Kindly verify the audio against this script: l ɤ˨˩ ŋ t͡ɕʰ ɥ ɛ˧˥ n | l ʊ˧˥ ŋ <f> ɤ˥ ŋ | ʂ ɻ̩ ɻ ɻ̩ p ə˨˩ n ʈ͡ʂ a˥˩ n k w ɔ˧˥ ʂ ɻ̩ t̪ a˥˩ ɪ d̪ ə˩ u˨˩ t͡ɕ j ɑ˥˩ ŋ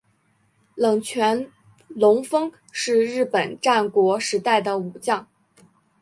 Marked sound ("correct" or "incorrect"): correct